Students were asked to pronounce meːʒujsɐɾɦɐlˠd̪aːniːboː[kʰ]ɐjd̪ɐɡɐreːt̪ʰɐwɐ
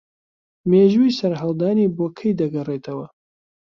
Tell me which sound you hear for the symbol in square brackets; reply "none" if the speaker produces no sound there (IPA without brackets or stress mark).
kʰ